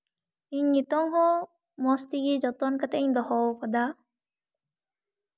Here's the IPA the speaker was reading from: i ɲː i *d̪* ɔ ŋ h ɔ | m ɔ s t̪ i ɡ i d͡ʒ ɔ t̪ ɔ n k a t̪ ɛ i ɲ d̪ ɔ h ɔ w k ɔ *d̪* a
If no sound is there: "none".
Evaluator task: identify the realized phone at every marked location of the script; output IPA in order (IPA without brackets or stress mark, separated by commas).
t̪, d̪